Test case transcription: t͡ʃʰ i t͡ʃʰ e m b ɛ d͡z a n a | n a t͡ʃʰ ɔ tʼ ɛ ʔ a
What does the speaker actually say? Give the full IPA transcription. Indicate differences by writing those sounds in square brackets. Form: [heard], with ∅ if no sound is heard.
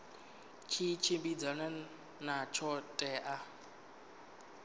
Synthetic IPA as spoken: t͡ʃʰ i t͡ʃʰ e m b [i] d͡z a n a | n a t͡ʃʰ ɔ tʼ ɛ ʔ a